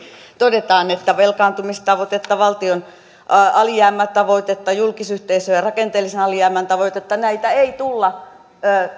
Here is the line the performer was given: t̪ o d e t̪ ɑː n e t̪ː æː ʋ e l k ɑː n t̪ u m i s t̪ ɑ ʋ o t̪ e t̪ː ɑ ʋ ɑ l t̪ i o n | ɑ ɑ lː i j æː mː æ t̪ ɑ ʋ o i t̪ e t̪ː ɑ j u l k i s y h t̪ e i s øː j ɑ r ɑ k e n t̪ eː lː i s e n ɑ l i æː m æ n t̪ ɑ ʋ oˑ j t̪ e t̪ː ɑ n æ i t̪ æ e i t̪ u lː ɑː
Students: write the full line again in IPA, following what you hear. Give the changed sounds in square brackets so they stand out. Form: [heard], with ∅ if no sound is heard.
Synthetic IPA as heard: t̪ o d e t̪ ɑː n e t̪ː [æ] ʋ e l k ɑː n t̪ u m i s t̪ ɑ ʋ o t̪ e t̪ː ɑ ʋ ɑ l t̪ i o n | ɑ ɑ [l] i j æː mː æ t̪ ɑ ʋ o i t̪ e t̪ː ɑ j u l k i s y h t̪ e i s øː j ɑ r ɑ k e n t̪ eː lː i s e n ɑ l i æː m æ n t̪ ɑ ʋ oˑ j t̪ e t̪ː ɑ n æ i t̪ æ e i t̪ u lː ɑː